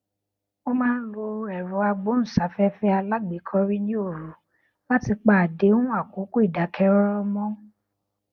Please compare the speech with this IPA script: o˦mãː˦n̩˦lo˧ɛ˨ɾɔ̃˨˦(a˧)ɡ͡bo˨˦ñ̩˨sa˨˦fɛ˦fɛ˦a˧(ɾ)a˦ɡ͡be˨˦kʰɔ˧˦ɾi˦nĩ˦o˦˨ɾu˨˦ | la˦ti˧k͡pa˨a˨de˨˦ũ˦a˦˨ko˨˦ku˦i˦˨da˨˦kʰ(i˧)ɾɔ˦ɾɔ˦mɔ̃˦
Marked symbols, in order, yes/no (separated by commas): yes, no, no